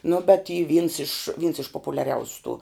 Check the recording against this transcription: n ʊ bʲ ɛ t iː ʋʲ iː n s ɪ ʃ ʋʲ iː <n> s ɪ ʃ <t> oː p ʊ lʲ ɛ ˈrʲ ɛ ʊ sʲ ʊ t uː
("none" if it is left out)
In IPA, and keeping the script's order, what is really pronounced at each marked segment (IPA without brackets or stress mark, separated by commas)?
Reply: n, p